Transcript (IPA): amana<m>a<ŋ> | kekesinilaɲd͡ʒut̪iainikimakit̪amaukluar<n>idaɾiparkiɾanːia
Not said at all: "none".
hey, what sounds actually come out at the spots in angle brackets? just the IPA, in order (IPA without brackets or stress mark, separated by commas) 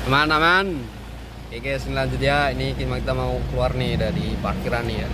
m, n, n